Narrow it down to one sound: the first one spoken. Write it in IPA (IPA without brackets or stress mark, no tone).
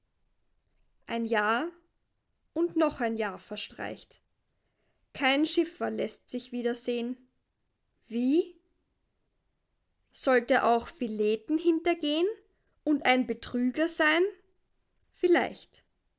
ʔ